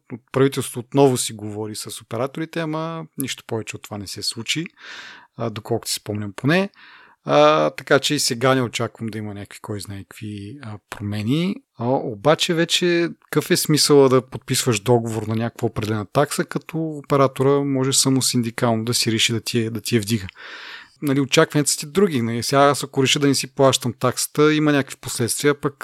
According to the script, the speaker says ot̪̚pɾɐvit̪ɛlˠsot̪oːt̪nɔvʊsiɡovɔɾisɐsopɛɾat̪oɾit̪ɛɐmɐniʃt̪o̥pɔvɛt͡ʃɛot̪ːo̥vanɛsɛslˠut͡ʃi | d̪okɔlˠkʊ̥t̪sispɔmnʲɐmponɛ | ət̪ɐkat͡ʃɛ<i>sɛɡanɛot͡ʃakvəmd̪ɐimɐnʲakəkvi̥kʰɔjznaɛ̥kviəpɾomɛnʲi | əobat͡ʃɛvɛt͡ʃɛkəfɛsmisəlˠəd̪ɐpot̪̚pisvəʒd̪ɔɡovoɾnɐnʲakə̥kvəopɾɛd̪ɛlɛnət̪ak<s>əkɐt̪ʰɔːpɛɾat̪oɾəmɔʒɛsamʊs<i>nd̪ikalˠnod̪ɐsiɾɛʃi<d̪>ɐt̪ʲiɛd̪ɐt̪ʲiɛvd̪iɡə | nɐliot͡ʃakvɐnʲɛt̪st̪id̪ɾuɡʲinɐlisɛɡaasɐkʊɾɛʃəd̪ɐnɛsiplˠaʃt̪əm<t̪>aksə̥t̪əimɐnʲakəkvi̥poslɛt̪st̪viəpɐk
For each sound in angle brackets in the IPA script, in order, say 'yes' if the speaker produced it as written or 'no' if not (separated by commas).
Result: yes, yes, yes, yes, yes